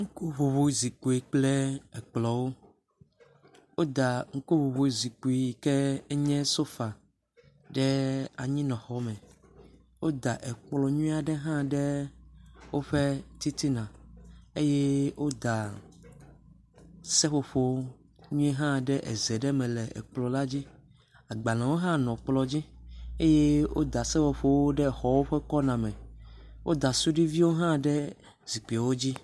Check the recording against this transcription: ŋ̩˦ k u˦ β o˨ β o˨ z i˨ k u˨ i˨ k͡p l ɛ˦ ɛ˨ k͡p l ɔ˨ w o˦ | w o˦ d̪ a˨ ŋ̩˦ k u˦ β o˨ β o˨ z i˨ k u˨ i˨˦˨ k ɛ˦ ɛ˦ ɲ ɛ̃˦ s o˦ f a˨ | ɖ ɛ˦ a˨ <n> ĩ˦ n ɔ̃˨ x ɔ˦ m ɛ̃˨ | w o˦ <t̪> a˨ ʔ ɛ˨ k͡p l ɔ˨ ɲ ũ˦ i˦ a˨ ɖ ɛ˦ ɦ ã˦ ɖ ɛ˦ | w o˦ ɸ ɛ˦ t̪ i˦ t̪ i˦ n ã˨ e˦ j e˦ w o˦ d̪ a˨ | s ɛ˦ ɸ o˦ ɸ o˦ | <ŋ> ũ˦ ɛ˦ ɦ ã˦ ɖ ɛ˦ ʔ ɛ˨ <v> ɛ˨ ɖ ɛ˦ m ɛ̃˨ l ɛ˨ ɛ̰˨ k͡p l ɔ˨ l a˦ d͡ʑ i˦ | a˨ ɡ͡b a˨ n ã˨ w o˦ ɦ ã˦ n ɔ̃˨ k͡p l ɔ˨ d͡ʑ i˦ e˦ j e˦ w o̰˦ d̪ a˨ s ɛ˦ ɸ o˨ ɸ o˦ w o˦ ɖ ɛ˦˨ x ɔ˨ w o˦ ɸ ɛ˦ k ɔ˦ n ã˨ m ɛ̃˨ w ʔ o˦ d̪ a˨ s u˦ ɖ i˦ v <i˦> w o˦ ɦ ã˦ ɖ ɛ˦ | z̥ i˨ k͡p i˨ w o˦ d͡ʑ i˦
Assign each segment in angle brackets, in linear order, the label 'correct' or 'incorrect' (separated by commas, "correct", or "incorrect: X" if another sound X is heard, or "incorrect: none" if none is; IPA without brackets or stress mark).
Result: incorrect: ɲ, incorrect: d̪, incorrect: ɲ, incorrect: z, correct